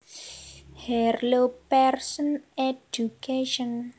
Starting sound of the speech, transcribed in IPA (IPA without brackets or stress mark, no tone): h